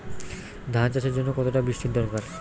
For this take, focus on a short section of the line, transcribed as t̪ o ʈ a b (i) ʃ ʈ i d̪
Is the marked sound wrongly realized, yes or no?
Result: no